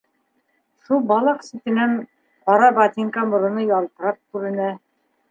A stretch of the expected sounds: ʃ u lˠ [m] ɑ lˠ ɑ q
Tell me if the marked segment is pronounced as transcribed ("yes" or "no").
no